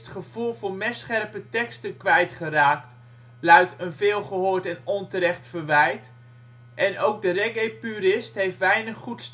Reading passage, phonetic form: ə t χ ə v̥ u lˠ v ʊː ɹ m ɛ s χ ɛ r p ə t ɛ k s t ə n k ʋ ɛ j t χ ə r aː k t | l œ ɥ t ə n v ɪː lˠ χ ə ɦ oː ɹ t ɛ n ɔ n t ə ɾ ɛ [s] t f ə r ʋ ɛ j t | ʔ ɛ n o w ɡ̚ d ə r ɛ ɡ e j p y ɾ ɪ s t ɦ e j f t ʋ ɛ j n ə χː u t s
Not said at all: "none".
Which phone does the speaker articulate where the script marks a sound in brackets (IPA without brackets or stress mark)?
χ